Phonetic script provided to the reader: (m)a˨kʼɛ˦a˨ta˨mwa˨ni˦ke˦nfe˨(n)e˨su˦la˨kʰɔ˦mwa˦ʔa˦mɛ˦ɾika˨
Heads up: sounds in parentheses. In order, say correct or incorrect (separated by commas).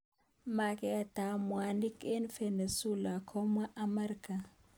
correct, correct